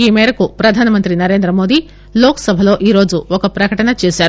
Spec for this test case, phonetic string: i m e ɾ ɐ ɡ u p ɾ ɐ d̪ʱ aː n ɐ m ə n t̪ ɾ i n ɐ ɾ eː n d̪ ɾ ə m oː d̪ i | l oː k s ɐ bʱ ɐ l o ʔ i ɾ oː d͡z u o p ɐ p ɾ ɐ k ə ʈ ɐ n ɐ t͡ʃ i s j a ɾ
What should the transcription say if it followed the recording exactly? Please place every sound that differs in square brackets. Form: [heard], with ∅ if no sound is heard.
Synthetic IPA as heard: i m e ɾ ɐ [k] u p ɾ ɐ d̪ʱ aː n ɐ m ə n t̪ ɾ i n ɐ ɾ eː n d̪ ɾ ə m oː d̪ i | l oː k s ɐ bʱ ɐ l o ʔ i ɾ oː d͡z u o [k] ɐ p ɾ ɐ k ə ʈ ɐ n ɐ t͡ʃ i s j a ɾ